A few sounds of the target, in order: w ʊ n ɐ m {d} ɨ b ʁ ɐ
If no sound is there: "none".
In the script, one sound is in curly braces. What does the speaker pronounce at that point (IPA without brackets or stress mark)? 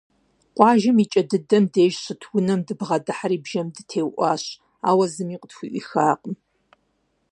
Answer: d